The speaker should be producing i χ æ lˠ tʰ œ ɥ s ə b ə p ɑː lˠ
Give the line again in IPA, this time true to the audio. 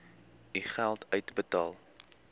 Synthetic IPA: i χ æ lˠ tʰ œ ɥ t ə b ə t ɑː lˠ